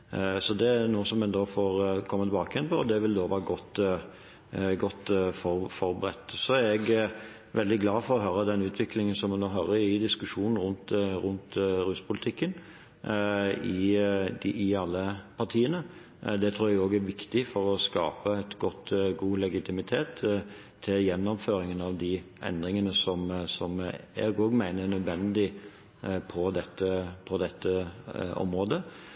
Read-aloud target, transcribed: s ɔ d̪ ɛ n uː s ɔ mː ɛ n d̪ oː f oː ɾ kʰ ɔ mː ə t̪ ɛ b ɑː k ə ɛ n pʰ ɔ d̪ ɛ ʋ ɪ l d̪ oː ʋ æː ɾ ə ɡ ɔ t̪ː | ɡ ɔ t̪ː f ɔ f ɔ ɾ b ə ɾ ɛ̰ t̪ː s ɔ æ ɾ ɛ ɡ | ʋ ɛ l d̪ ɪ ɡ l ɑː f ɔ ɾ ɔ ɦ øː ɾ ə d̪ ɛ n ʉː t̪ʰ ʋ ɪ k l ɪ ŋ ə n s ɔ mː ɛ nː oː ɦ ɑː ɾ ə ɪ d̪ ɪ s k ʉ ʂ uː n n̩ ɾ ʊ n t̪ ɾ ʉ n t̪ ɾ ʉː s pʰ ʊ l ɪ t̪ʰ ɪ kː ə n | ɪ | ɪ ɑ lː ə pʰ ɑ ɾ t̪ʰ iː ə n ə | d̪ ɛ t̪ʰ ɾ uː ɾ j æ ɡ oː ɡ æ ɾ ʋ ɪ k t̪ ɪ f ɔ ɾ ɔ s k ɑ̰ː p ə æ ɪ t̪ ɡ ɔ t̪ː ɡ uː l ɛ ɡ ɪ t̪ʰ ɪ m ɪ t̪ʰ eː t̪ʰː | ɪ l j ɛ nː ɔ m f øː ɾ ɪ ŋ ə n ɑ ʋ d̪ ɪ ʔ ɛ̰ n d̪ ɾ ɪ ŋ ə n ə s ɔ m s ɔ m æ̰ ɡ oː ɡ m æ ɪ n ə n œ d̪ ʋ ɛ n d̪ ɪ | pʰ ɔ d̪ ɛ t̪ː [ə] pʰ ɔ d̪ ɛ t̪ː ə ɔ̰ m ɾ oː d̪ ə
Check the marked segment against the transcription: correct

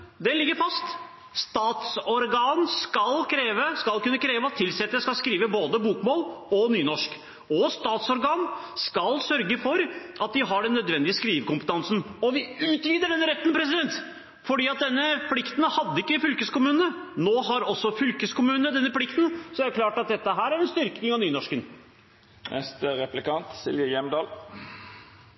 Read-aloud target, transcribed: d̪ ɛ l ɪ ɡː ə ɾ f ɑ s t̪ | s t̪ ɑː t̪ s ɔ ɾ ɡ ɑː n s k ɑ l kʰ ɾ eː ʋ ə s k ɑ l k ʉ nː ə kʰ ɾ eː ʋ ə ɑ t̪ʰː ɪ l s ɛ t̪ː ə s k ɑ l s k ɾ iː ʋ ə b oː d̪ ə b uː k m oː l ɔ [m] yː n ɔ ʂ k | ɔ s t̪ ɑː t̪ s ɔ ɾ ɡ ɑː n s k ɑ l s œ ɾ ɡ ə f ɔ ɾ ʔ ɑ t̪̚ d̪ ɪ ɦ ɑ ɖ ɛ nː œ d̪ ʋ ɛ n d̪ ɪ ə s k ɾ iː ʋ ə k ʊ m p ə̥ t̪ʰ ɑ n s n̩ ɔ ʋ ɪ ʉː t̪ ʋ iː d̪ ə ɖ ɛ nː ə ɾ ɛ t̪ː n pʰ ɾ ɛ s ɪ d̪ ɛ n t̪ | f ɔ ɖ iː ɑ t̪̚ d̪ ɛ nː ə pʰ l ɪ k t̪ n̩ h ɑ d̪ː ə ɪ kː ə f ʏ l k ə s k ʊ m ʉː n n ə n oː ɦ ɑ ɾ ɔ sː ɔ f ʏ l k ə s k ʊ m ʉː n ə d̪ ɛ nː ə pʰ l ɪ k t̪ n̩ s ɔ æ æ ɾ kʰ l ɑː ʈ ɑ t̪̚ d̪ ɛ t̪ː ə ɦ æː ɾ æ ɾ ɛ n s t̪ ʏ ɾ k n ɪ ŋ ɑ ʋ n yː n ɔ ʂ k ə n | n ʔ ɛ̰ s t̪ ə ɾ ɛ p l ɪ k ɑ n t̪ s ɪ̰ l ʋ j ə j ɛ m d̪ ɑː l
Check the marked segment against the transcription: incorrect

